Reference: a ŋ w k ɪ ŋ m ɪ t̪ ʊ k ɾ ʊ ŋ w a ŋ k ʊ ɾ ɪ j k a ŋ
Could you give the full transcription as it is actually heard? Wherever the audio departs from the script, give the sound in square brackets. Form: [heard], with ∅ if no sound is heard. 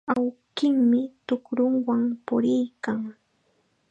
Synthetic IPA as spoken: a [∅] w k ɪ ŋ m ɪ t̪ ʊ k ɾ ʊ ŋ w a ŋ [p] ʊ ɾ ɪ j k a ŋ